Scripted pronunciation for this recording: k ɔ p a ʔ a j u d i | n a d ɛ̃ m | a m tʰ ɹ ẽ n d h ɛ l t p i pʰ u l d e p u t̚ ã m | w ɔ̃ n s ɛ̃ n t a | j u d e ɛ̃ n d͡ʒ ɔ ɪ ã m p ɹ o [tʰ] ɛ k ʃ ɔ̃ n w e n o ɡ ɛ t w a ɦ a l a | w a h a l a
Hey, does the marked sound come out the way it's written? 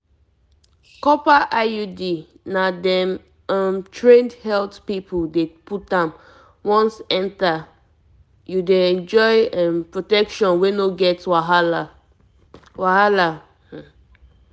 no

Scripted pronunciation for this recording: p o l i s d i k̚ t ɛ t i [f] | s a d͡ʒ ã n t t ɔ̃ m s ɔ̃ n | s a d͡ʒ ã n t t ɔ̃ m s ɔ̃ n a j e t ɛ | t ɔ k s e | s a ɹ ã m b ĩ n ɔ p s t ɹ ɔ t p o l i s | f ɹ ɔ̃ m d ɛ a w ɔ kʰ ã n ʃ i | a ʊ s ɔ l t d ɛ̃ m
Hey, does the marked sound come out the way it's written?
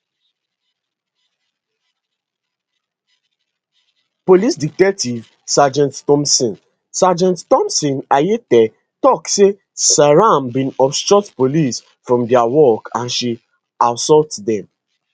no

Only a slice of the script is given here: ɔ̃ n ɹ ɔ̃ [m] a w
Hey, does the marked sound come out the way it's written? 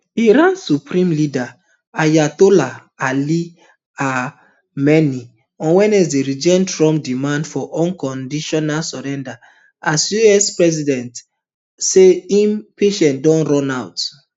no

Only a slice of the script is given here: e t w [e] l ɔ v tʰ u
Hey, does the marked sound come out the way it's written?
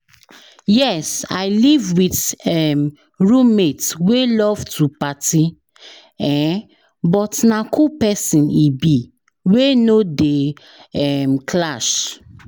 yes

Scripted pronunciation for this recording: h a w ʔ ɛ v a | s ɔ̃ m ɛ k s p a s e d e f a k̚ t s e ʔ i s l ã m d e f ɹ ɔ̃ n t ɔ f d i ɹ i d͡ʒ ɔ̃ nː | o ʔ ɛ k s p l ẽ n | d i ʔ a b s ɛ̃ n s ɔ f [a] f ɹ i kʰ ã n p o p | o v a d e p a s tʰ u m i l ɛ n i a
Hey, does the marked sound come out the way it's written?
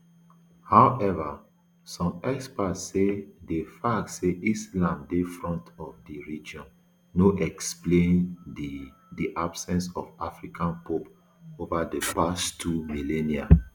yes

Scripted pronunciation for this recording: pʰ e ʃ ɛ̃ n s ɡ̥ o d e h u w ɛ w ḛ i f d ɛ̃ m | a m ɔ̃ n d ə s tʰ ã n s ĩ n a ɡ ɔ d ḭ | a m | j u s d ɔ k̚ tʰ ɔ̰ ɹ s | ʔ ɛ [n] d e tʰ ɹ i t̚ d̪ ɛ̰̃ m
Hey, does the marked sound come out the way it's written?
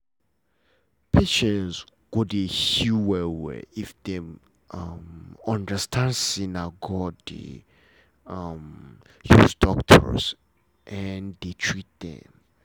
yes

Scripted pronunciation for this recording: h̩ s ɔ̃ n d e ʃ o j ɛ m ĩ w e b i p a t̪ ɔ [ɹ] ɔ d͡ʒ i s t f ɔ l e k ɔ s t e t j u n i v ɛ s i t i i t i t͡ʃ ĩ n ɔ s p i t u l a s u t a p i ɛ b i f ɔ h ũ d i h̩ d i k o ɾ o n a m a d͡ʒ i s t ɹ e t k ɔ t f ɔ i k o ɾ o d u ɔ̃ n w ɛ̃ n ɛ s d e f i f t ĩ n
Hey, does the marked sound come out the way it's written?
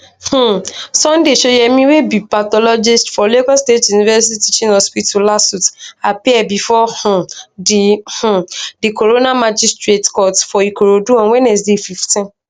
no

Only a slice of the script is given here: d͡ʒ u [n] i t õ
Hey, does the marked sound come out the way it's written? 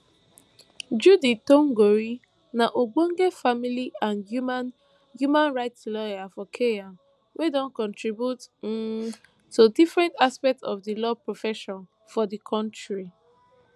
no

